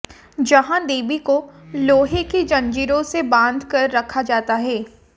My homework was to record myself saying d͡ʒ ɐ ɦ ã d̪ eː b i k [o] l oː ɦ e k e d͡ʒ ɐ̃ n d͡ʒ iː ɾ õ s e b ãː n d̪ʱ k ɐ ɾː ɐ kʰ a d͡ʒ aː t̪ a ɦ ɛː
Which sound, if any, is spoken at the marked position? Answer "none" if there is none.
o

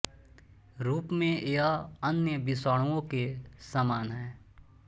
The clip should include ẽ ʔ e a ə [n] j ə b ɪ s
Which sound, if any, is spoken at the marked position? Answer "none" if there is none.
n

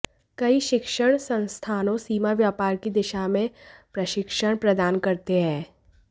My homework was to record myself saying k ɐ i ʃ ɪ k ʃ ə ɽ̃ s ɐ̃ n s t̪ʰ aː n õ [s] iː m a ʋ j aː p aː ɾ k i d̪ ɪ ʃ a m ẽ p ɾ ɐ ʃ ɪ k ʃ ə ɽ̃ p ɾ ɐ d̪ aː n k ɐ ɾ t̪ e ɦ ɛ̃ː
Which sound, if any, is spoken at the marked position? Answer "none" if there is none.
s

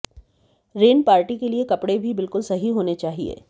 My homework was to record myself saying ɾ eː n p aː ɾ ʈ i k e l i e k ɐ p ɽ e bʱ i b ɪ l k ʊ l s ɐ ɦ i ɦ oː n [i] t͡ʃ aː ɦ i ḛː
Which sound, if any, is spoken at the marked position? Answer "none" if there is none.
e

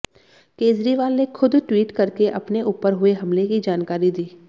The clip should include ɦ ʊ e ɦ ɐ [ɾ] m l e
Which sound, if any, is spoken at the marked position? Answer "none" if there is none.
none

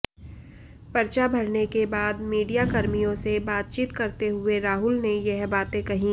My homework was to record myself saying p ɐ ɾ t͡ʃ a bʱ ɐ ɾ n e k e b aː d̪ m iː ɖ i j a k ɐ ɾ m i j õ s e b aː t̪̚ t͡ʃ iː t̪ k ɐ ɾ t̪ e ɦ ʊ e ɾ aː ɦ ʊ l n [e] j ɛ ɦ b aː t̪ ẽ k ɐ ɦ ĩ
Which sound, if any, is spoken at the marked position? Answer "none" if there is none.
e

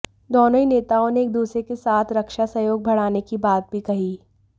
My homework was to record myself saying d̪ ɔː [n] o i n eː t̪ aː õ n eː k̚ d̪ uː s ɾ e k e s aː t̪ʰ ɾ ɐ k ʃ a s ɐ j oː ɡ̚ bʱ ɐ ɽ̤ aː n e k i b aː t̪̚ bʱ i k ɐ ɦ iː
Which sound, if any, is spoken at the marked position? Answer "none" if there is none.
n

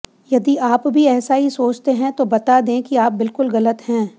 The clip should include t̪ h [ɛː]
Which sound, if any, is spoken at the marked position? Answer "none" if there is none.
ɛ̃ː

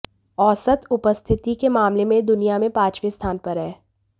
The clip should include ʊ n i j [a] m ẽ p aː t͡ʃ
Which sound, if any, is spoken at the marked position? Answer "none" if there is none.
a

